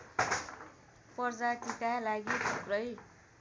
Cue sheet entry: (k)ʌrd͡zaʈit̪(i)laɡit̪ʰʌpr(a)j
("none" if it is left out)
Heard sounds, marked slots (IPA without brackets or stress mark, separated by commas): p, a, ʌ